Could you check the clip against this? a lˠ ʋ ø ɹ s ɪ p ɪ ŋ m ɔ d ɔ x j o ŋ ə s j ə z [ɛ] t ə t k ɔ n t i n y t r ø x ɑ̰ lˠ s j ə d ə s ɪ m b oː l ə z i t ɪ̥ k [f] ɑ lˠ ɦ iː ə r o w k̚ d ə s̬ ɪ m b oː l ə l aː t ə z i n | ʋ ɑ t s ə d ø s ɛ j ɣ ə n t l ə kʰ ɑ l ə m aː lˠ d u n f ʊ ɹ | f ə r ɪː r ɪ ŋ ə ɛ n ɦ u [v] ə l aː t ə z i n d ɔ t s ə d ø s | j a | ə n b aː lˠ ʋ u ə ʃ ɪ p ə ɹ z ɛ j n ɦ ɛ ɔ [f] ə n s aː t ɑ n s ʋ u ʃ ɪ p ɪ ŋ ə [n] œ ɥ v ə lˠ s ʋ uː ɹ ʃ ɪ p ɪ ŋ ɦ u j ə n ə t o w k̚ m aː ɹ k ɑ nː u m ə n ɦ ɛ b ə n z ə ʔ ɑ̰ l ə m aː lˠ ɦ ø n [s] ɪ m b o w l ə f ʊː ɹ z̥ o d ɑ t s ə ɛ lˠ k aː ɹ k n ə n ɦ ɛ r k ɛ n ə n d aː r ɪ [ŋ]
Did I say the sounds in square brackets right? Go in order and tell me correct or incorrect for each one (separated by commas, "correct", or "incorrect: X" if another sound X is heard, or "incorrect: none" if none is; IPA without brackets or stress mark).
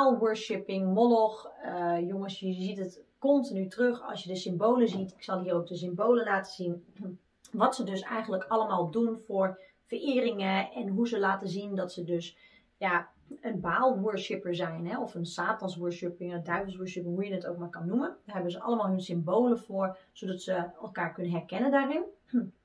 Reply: incorrect: i, incorrect: s, incorrect: z, correct, incorrect: d, correct, incorrect: n